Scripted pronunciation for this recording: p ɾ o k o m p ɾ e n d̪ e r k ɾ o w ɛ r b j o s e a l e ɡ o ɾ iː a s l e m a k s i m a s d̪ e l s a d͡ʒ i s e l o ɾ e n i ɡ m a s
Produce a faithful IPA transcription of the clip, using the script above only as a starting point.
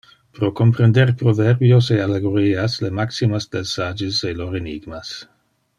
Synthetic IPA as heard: p ɾ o k o m p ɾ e n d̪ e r p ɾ o v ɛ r b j o s e a l e ɡ o ɾ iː a s l e m a k s i m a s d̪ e l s a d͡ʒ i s e l o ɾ e n i ɡ m a s